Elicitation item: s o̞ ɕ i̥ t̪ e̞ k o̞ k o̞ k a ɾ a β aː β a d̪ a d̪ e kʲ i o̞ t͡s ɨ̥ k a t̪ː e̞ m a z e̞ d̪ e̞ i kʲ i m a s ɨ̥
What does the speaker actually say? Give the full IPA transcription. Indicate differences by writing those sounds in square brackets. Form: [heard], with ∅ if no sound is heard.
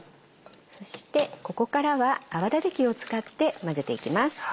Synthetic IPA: s o̞ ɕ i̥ t̪ e̞ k o̞ k o̞ k a ɾ a β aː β a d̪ a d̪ e kʲ i o̞ t͡s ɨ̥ k a t̪ː e̞ m a z e̞ [t̪] e̞ i kʲ i m a s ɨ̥

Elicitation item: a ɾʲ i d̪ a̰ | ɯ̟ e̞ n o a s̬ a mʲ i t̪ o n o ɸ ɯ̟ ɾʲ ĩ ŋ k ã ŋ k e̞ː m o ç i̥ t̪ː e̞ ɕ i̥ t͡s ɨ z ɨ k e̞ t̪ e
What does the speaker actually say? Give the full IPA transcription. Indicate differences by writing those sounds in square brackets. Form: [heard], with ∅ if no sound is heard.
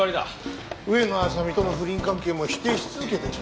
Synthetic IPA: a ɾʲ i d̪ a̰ | ɯ̟ e̞ n o a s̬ a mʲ i t̪ o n o ɸ ɯ̟ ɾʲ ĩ ŋ k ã ŋ k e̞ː m o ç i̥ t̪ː e̞ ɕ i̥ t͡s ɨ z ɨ k e̞ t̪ e

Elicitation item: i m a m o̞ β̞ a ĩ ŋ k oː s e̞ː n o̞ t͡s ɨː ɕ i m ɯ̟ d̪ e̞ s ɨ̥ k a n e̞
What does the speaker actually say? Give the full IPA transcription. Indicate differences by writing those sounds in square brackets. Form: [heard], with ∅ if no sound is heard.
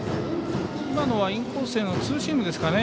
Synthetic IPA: i m a [n] o̞ β̞ a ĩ ŋ k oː s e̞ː n o̞ t͡s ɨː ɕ i m ɯ̟ d̪ e̞ s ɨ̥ k a n e̞

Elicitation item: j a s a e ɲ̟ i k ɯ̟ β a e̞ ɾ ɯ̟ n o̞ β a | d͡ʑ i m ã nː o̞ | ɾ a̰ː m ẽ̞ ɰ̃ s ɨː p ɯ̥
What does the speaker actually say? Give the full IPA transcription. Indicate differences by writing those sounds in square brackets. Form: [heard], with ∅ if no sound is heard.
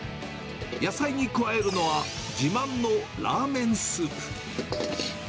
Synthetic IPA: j a s a [i] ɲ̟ i k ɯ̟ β a e̞ ɾ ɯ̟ n o̞ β a | d͡ʑ i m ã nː o̞ | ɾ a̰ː m ẽ̞ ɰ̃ s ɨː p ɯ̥

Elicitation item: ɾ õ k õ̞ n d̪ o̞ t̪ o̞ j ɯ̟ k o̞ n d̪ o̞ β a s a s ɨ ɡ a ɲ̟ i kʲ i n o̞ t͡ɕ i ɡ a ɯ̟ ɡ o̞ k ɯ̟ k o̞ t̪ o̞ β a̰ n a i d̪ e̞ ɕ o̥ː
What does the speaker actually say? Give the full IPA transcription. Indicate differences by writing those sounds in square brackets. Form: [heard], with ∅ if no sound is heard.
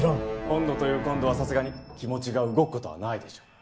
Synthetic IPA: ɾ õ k õ̞ n d̪ o̞ t̪ o̞ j [ɯ̟ː] k [õ̞] n d̪ o̞ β a s a s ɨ ɡ a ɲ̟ i kʲ i [m] o̞ t͡ɕ i ɡ a ɯ̟ ɡ o̞ k ɯ̟ k o̞ t̪ o̞ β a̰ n a i d̪ e̞ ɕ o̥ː

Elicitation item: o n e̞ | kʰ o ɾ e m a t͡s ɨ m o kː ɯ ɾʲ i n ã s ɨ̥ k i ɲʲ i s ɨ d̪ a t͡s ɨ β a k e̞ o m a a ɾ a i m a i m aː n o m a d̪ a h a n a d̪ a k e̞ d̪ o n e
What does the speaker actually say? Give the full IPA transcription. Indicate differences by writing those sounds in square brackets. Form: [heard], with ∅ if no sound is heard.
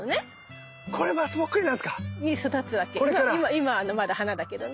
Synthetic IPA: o n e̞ | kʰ o ɾ e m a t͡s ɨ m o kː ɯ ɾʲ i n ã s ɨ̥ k [a] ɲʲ i s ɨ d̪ a t͡s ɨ β a k e̞ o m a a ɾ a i m a i m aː n o m a d̪ a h a n a d̪ a k e̞ d̪ o n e

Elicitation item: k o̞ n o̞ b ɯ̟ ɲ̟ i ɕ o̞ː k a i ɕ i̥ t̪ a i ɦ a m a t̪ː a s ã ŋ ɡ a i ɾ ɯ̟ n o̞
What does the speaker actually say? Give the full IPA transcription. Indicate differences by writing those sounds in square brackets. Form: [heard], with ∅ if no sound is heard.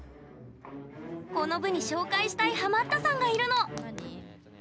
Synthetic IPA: k o̞ n o̞ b ɯ̟ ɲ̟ i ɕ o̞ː k a i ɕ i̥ t̪ a i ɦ a m a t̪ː a s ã ŋ ɡ a i ɾ ɯ̟ n o̞

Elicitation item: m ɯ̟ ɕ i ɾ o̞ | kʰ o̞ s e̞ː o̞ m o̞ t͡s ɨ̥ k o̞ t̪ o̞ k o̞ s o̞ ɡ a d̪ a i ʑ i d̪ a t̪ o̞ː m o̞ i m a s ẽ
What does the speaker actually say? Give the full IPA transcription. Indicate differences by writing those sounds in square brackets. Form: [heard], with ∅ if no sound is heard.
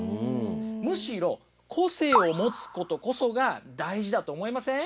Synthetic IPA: m ɯ̟ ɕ i ɾ o̞ | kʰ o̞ s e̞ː o̞ m o̞ t͡s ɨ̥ k o̞ t̪ o̞ k o̞ s o̞ ɡ a d̪ a i ʑ i d̪ a t̪ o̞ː m o̞ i m a s ẽ

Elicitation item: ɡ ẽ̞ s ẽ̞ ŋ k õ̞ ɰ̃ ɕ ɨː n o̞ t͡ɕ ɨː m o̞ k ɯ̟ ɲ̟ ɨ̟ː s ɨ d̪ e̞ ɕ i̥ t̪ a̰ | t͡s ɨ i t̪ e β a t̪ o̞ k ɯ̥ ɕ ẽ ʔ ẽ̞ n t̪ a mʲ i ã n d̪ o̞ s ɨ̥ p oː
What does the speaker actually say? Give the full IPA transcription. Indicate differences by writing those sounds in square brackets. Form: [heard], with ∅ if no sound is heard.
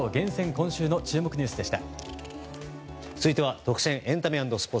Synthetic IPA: ɡ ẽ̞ s ẽ̞ ŋ k õ̞ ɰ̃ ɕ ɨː n o̞ t͡ɕ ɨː m o̞ k ɯ̟ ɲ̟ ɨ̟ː s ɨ d̪ e̞ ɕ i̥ t̪ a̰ | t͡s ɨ i t̪ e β a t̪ o̞ k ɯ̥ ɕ ẽ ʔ ẽ̞ n t̪ a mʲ i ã n d̪ o̞ s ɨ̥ p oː

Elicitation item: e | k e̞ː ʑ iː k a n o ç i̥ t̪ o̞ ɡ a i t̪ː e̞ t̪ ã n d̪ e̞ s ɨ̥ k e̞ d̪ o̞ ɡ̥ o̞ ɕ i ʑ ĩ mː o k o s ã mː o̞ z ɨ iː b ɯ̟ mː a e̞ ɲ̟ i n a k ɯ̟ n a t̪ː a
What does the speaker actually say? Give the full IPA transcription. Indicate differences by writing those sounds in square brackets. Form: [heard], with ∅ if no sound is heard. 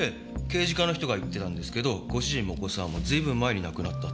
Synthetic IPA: e | k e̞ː ʑ [i] k a n o ç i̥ t̪ o̞ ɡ a i t̪ː e̞ t̪ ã n d̪ e̞ s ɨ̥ k e̞ d̪ o̞ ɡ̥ o̞ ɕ i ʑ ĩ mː o k o s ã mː o̞ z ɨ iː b [ɯ̟̃] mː a e̞ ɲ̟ i n a k ɯ̟ n a t̪ː a

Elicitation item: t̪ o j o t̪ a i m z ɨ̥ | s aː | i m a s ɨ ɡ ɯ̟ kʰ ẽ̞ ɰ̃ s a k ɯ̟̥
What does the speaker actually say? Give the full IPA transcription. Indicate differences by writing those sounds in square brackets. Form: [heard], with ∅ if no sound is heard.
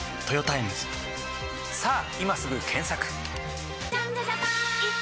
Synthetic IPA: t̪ o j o t̪ a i m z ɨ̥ | s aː | i m a s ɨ ɡ ɯ̟ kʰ ẽ̞ ɰ̃ s a k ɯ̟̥

